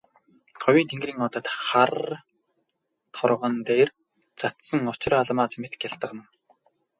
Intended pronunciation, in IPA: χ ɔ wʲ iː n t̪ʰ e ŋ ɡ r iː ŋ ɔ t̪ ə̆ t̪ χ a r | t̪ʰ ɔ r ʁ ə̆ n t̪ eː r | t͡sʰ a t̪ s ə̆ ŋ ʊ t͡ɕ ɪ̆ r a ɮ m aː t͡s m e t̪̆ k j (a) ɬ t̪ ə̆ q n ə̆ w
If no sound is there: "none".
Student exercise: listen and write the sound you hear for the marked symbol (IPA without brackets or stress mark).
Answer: a